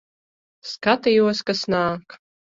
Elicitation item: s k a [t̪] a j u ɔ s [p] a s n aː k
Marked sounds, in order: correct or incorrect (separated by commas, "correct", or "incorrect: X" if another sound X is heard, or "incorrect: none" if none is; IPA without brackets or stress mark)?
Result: correct, incorrect: k